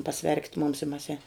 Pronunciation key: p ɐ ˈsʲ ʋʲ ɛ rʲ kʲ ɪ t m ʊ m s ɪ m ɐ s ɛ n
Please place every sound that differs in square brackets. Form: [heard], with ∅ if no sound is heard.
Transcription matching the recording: p ɐ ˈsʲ ʋʲ ɛ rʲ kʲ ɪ t m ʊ m s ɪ m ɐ s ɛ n